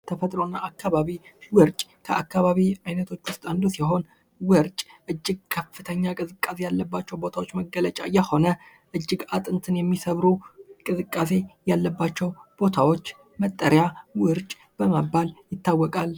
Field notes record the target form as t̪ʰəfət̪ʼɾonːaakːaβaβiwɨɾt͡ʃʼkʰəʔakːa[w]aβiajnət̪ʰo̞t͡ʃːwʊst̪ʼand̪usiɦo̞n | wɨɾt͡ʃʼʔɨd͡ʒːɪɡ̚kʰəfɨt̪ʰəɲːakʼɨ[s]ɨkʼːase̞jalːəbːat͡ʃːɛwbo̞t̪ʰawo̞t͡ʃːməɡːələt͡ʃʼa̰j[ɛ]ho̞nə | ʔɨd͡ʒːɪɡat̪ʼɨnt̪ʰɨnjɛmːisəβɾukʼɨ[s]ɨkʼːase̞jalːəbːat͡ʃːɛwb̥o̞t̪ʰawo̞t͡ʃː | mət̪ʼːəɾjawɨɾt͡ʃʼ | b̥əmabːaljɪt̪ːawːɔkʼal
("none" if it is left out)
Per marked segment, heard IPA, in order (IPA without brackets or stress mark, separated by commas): β, z, ɛ, z